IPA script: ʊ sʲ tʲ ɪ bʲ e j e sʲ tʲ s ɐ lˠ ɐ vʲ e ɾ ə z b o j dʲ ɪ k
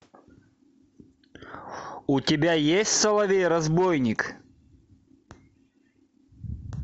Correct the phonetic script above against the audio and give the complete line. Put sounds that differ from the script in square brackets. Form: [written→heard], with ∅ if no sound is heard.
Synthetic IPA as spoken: ʊ [sʲ→∅] tʲ ɪ bʲ [e→a] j e sʲ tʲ s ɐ lˠ ɐ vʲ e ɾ [ə→ɐ] z b o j [dʲ→nʲ] ɪ k